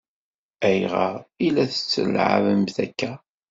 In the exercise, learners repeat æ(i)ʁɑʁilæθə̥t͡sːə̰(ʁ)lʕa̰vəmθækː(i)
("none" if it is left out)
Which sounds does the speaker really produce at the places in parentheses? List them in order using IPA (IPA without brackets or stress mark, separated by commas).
j, none, æ